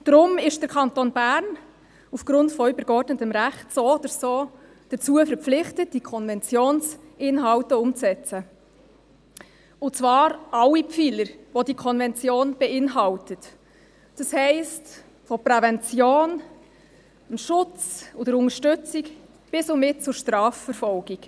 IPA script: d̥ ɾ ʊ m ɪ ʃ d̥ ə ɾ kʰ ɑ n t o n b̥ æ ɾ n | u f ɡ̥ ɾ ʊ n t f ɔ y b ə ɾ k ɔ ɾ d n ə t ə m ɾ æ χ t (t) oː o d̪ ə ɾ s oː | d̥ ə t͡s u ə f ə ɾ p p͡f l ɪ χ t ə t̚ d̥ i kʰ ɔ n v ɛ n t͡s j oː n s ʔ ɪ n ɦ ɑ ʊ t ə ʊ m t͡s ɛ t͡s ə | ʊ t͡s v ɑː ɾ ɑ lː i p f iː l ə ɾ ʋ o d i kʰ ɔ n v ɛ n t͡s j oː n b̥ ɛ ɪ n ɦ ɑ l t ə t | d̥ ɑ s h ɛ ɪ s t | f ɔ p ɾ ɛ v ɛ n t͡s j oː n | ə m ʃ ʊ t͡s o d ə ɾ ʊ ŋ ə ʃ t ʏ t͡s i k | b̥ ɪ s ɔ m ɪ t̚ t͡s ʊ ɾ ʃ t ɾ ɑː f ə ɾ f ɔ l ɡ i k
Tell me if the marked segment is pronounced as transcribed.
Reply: no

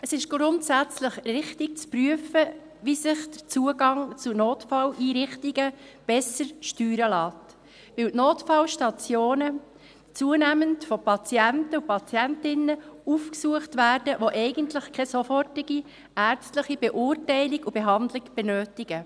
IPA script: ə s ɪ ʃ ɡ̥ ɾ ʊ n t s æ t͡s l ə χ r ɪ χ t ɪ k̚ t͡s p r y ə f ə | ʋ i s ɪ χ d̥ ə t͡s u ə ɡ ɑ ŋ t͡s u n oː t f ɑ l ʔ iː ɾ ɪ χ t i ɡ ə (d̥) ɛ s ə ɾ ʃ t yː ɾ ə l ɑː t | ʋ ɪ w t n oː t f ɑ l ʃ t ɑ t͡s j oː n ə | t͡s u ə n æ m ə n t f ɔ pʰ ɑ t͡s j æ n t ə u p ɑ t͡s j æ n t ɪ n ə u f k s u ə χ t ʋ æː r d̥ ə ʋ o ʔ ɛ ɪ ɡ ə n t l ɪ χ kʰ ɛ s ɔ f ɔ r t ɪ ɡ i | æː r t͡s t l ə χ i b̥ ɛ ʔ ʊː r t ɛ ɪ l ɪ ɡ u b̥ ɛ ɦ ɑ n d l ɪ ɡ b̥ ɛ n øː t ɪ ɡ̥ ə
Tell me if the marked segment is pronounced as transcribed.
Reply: no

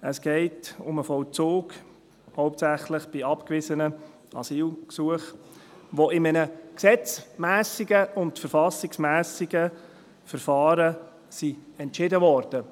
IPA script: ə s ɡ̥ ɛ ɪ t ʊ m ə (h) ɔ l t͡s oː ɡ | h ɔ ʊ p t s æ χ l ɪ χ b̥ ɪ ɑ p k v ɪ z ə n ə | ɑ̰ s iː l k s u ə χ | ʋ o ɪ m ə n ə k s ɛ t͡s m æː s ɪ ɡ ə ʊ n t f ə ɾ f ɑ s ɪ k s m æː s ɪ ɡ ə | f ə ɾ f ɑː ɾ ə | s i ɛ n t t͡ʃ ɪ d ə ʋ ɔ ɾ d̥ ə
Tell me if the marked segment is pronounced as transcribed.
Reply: no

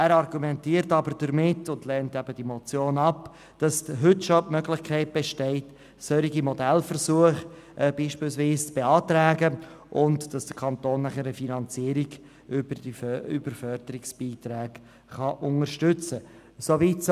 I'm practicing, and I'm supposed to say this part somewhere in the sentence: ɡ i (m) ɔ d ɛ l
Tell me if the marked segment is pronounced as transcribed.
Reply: yes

